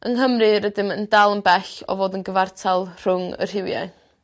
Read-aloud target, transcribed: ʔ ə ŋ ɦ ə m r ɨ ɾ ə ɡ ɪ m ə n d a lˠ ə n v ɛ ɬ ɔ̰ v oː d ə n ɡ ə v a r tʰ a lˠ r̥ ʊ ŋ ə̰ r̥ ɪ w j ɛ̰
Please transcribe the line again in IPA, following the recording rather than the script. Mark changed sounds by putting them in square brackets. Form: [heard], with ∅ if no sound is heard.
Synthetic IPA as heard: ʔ ə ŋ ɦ ə m r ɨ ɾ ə [d] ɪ m ə n d a lˠ ə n [b] ɛ ɬ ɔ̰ v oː d ə n ɡ ə v a r tʰ a lˠ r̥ ʊ ŋ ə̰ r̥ ɪ w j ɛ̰